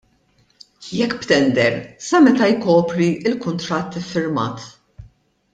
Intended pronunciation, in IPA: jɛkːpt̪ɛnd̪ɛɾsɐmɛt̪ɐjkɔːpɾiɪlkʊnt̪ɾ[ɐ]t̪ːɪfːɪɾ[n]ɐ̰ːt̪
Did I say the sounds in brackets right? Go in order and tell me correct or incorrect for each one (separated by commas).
correct, incorrect